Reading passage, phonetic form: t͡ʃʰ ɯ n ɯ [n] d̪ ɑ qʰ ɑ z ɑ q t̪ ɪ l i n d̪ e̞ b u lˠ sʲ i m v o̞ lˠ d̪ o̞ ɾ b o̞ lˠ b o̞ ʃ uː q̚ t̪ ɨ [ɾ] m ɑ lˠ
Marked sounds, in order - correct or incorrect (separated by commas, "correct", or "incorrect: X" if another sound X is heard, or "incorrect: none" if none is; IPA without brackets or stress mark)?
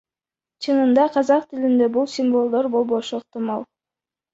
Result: correct, incorrect: none